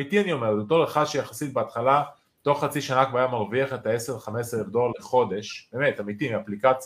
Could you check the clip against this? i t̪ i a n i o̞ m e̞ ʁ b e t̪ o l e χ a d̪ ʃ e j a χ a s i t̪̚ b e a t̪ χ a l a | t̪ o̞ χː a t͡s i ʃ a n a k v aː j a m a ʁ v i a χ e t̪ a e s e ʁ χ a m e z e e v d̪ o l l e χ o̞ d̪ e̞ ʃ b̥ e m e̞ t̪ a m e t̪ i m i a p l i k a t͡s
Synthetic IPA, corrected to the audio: i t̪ i a n i o̞ m e̞ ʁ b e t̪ o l e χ a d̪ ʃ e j a χ a s i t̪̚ b e a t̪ χ a l a | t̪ o̞ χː a t͡s i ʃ a n a k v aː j a m a ʁ v i a χ e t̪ a e s e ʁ χ a m e s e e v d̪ o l l e χ o̞ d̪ e̞ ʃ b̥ e m e̞ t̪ a m i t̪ i m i a p l i k a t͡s